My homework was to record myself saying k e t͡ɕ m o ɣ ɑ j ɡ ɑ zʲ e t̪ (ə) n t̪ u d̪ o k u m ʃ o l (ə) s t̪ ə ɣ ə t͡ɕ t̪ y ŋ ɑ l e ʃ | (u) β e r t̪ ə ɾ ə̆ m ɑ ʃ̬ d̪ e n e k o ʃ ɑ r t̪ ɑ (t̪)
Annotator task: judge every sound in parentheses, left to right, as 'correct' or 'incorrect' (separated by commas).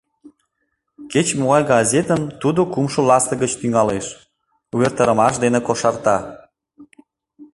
correct, incorrect, correct, incorrect